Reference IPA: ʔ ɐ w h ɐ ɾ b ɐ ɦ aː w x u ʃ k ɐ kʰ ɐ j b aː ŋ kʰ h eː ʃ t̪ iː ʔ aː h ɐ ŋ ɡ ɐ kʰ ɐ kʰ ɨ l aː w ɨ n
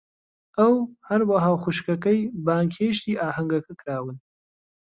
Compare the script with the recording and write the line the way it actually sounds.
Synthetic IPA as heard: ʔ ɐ w h ɐ ɾ w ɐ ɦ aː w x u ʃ k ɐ k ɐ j b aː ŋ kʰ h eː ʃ t̪ iː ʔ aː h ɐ ŋ ɡ ɐ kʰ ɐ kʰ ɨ ɾ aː w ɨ n